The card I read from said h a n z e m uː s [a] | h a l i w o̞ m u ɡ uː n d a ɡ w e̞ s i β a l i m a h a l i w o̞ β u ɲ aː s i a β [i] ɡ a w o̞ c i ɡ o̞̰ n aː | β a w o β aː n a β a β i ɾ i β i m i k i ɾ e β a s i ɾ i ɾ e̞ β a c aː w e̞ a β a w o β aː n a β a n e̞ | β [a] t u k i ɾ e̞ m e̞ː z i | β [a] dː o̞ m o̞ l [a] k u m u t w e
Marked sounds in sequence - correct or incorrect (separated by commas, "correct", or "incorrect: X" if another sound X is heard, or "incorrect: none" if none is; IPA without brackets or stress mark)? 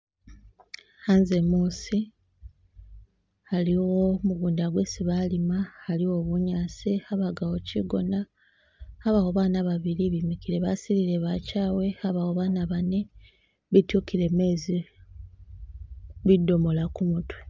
incorrect: i, incorrect: a, incorrect: i, incorrect: i, correct